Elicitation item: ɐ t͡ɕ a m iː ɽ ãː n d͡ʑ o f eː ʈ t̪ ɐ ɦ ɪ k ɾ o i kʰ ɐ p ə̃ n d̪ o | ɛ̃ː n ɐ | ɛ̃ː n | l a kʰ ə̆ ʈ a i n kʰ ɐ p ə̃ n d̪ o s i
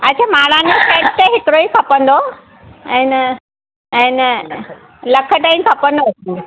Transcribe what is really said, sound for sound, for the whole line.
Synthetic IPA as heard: ɐ t͡ɕʰ a m aː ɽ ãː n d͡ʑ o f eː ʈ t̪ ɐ ɦ ɪ k ɾ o i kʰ ɐ p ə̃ n d̪ o | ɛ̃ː n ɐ | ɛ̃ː n | l ɐ kʰ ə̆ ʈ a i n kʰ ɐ p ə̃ n d̪ o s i

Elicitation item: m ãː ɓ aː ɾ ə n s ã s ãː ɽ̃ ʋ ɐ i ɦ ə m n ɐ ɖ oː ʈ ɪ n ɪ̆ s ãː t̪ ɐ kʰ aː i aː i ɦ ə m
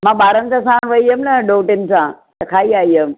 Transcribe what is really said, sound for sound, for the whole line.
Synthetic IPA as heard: m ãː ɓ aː ɾ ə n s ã s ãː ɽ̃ ʋ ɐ i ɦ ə m n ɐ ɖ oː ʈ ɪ n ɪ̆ s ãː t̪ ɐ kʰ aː i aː i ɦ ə m

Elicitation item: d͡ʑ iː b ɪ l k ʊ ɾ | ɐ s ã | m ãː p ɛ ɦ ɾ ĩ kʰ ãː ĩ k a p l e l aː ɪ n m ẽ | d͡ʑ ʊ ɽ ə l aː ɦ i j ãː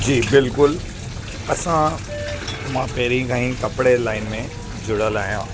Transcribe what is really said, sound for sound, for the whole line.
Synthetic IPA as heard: d͡ʑ iː b ɪ l k ʊ l | ɐ s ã | m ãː p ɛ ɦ ɾ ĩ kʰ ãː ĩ k ɐ p ɽ e l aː ɪ n m ẽ | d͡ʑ ʊ ɽ ə l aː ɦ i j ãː

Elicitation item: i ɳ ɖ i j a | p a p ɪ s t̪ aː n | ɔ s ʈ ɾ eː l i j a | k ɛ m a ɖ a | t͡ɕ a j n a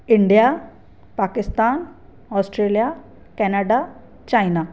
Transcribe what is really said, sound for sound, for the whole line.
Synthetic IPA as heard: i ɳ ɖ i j a | p a k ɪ s t̪ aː n | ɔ s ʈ ɾ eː l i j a | k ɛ n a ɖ a | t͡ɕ a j n a

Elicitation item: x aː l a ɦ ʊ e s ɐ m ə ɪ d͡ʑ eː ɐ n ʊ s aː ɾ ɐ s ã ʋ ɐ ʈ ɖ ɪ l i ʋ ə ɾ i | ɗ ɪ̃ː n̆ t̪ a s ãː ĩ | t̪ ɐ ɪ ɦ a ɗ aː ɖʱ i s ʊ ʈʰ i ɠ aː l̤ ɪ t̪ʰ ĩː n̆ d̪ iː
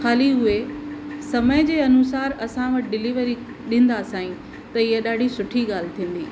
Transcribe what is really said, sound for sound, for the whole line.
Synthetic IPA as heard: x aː l i ɦ ʊ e s ɐ m ə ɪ d͡ʑ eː ɐ n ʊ s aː ɾ ɐ s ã ʋ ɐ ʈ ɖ ɪ l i ʋ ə ɾ i | ɗ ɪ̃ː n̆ d̪ a s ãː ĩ | t̪ ɐ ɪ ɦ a ɗ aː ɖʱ i s ʊ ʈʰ i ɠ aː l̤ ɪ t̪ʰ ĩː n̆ d̪ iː

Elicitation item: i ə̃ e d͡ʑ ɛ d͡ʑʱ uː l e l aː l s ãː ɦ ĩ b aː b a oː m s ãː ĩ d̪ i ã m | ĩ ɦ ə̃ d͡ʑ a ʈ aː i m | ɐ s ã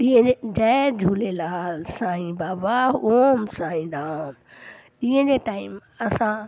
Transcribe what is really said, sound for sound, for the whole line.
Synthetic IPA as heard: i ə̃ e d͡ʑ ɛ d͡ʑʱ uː l e l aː l s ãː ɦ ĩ b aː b a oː m s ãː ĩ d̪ a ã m | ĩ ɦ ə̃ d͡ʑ e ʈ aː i m | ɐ s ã

